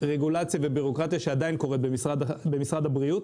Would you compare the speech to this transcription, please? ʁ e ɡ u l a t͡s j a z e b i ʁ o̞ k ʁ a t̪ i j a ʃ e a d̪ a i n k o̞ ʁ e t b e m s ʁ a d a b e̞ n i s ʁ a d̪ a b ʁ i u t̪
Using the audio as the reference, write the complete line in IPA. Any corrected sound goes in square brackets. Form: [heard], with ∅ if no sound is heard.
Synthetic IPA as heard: ʁ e ɡ u l a t͡s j a [v] e b i ʁ o̞ k ʁ a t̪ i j a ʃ e a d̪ a i n k o̞ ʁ e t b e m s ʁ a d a b e̞ [m] i s ʁ a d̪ a b ʁ i u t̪